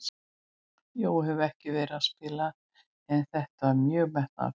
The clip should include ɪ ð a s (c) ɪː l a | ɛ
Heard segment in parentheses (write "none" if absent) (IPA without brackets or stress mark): p